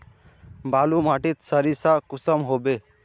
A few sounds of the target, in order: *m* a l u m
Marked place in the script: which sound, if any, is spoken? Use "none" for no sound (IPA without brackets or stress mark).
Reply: b